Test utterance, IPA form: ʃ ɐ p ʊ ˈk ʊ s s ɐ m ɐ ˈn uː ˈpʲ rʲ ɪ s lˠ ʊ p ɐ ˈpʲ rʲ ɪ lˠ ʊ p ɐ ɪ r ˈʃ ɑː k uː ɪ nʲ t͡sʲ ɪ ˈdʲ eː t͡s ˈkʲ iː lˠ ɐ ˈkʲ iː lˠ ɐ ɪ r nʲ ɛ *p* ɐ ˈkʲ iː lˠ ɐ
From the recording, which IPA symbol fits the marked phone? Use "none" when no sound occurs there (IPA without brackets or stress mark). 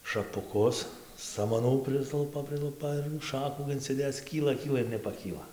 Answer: p